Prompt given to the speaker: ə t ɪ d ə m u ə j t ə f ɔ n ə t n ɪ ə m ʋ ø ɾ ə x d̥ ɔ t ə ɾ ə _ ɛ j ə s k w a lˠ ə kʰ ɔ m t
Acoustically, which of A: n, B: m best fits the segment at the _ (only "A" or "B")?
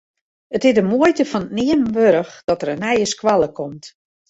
A